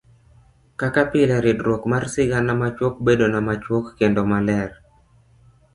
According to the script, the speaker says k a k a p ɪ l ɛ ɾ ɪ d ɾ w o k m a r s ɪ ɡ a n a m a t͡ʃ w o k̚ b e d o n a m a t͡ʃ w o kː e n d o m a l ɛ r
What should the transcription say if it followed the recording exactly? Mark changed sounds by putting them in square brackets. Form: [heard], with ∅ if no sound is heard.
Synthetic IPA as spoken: k a k a p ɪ l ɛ ɾ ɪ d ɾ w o k m a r s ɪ ɡ a n a m a t͡ʃ w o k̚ b e d o n a m a t͡ʃ w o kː e n d o m a l ɛ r